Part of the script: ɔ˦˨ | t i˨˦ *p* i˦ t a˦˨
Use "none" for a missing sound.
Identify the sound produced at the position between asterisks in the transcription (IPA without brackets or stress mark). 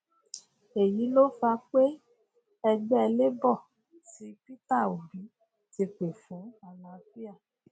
p